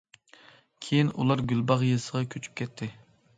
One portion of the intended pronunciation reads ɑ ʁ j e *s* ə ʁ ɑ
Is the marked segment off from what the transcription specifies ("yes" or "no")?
no